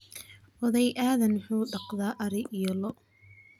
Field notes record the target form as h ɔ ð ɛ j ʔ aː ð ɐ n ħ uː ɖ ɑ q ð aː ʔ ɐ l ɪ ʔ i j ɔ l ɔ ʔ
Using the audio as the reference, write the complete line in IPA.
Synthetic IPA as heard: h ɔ ð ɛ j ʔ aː ð ɐ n ħ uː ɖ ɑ q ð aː ʔ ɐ ɾ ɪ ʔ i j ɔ l ɔ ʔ